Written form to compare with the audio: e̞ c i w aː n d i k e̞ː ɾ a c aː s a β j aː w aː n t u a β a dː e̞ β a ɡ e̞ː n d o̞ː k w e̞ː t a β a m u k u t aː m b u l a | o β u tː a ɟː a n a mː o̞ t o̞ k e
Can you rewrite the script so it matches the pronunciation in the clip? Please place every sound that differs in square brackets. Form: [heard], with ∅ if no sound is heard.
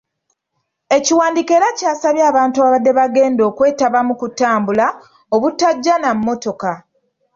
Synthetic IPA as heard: e̞ c i w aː n d i k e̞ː ɾ a c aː s a β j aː [β] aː n t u a β a dː e̞ β a ɡ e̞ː n d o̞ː k w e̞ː t a β a m u k u t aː m b u l a | o β u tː a ɟː a n a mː o̞ t o̞ k [a]